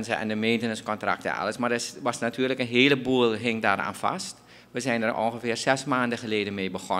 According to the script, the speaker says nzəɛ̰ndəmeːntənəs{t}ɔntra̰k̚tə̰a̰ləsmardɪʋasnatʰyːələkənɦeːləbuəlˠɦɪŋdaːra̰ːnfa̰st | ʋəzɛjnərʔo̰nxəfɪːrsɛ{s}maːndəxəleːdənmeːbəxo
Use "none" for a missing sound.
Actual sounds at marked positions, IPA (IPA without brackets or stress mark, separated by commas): k, s